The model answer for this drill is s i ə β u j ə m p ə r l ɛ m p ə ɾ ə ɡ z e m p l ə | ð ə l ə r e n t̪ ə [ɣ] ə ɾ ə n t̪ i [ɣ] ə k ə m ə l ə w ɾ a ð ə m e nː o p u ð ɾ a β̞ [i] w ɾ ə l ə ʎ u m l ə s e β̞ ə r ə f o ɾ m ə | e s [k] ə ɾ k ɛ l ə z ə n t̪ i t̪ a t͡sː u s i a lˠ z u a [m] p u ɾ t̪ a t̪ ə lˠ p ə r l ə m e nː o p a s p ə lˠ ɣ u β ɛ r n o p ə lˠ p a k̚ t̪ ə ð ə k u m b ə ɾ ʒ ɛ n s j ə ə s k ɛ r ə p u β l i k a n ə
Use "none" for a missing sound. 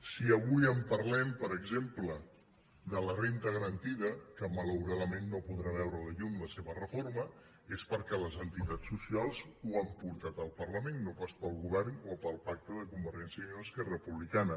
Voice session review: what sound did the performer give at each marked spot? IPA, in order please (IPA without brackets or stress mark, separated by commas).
ɣ, ð, ɛ, p, m